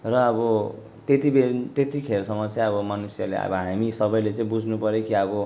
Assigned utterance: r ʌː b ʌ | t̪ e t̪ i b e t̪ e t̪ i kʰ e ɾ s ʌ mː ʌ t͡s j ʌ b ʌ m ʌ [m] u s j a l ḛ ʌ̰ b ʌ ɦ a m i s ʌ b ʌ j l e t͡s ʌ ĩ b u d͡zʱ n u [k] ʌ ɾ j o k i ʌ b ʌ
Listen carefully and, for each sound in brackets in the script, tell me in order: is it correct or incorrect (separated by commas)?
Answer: incorrect, incorrect